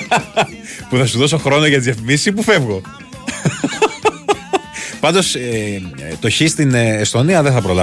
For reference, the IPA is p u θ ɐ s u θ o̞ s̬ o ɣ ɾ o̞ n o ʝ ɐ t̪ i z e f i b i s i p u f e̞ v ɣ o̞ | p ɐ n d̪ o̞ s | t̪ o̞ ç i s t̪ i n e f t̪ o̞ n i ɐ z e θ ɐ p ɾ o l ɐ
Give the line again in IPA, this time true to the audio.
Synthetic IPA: p u θ ɐ s u ð o̞ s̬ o x ɾ o̞ n o ʝ ɐ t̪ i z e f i m i s i p u f e̞ v ɣ o̞ | p ɐ n d̪ o̞ s | t̪ o̞ ç i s t̪ i n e s t̪ o̞ n i ɐ ð e θ ɐ p ɾ o l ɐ